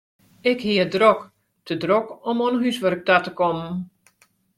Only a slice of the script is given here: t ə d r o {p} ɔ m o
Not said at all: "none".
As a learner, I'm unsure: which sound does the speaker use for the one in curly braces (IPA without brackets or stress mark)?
k